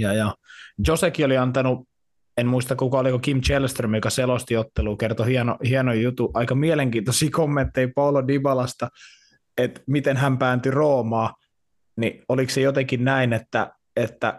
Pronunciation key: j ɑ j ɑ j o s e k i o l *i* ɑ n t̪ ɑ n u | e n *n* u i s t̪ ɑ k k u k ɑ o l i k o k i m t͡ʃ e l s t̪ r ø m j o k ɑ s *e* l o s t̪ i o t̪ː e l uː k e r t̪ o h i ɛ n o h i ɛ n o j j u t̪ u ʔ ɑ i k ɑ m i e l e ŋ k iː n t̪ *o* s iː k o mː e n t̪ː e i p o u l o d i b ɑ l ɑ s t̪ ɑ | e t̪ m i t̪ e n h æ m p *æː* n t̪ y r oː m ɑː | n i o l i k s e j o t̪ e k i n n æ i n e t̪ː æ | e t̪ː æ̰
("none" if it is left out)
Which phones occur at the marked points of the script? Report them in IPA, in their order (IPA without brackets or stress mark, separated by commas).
i, m, e, o, æː